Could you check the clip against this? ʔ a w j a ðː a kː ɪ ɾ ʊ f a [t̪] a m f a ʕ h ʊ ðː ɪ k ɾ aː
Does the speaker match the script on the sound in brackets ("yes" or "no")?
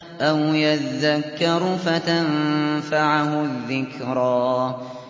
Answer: yes